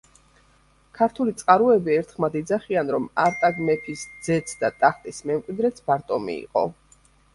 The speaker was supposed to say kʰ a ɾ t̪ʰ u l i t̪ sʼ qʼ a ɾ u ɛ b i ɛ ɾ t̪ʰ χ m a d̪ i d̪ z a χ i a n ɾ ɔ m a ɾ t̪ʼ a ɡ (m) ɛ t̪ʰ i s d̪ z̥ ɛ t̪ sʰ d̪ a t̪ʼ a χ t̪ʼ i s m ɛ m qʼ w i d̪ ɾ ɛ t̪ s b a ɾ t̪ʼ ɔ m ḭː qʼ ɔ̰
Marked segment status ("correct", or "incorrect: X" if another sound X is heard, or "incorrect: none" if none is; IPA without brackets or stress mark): correct